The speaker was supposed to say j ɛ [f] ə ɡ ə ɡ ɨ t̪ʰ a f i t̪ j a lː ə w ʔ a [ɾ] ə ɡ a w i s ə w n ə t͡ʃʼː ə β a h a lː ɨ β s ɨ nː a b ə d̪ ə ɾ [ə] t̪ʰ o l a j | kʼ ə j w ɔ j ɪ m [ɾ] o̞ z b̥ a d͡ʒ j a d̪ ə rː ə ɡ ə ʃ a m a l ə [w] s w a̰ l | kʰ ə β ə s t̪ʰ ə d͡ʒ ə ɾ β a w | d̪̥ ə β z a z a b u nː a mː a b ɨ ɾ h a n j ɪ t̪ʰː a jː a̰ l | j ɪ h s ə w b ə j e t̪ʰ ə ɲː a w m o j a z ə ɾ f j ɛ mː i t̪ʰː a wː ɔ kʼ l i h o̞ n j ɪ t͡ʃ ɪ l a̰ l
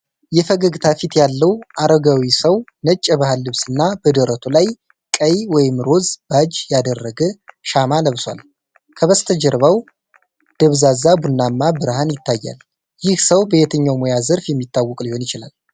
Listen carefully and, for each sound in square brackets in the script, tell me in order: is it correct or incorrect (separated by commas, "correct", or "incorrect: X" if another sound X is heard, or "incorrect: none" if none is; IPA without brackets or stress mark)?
correct, correct, correct, correct, incorrect: β